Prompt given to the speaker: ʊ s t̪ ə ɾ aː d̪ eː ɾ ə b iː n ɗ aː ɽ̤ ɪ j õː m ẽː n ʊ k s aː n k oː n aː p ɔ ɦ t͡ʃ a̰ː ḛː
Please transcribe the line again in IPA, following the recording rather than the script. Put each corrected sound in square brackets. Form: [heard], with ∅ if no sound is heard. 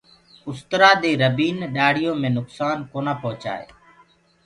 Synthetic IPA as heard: ʊ s t̪ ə ɾ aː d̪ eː ɾ ə b iː n ɗ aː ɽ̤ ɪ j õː m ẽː n ʊ k s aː n k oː n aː p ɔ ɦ t͡ʃ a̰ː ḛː